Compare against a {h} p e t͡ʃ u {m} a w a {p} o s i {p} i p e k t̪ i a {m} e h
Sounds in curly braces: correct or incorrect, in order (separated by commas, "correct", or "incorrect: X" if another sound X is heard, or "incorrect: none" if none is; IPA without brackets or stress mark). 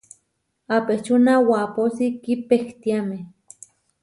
incorrect: none, incorrect: n, correct, incorrect: k, correct